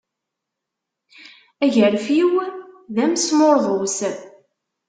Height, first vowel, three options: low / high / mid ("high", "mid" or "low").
low